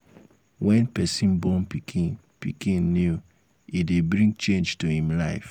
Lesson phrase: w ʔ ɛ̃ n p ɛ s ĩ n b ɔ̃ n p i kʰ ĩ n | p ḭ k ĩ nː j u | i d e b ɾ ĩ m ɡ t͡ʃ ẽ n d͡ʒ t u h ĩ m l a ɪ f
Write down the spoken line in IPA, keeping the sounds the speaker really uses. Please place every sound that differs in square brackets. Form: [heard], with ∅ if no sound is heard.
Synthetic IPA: w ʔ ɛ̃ n p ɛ s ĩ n b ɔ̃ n p i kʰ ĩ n | p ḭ k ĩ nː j u | i d e b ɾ ĩ [ŋ] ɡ t͡ʃ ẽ n d͡ʒ t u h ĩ m l a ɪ f